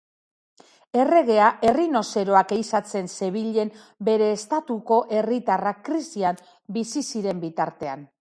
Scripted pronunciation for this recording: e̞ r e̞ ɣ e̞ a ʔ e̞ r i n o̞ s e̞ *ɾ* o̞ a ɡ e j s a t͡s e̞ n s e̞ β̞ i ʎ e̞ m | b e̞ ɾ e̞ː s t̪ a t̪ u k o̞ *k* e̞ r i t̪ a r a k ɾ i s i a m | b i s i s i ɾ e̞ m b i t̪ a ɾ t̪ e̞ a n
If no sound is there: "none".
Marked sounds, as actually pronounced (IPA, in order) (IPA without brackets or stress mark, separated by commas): ɾ, ʔ